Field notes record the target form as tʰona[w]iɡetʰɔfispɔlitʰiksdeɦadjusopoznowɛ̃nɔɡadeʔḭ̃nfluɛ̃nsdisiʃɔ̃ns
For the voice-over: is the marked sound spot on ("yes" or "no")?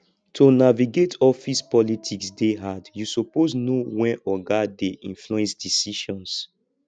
no